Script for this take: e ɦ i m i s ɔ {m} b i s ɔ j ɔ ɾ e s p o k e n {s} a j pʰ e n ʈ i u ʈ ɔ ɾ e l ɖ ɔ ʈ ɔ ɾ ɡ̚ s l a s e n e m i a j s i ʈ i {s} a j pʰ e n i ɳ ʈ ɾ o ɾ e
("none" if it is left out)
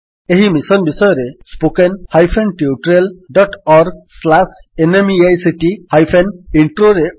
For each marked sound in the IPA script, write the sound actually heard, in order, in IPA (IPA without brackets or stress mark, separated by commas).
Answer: n, h, h